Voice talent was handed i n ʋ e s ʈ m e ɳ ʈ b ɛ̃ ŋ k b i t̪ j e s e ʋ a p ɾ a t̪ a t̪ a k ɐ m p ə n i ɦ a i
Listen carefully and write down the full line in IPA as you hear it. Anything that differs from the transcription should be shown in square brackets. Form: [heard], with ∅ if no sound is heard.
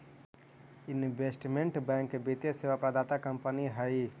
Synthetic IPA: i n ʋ e s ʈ m e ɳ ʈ b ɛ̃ ŋ k b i t̪ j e s e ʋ a p ɾ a [d̪] a t̪ a k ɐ m p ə n i ɦ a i